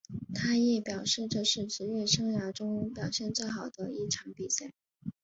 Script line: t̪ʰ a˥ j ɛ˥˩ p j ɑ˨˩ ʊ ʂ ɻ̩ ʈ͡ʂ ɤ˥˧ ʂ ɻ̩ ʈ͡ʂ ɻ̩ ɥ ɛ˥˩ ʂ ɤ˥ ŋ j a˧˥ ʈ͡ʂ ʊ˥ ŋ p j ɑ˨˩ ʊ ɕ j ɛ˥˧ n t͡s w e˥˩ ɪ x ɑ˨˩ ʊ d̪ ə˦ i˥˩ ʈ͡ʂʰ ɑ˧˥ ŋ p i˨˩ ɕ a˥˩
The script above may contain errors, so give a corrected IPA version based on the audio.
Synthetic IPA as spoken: t̪ʰ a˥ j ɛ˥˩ p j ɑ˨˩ ʊ ʂ ɻ̩ ʈ͡ʂ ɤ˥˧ ʂ ɻ̩ ʈ͡ʂ ɻ̩ ɥ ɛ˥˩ ʂ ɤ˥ ŋ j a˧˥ ʈ͡ʂ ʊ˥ ŋ p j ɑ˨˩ ʊ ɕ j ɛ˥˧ n t͡s w e˥˩ ɪ x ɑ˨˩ ʊ d̪ ə˦ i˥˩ ʈ͡ʂʰ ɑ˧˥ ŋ p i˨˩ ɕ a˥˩

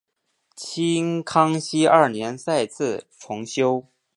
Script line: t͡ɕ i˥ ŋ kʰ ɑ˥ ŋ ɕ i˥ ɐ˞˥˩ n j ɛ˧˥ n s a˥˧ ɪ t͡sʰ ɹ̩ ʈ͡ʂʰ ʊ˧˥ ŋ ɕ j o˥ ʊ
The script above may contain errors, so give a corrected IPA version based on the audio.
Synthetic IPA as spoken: t͡ɕʰ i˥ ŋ kʰ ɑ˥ ŋ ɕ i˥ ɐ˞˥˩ n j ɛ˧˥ n s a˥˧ ɪ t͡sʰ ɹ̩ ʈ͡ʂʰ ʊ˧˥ ŋ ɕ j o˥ ʊ

